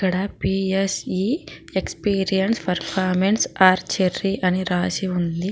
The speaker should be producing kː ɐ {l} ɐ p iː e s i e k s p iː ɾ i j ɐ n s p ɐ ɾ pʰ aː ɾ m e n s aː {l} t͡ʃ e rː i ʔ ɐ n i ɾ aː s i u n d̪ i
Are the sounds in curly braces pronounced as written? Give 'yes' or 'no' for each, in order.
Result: no, no

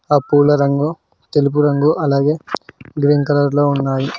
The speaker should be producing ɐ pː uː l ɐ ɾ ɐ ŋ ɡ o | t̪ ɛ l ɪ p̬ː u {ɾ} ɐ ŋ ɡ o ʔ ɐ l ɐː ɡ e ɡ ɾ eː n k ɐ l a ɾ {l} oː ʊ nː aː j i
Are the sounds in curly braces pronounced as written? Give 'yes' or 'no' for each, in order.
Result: yes, yes

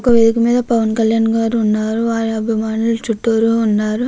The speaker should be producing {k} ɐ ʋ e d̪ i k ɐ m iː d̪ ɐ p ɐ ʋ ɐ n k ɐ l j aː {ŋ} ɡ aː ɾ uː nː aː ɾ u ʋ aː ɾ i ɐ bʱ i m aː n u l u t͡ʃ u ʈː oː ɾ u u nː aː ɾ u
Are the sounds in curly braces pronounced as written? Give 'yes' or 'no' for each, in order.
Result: yes, no

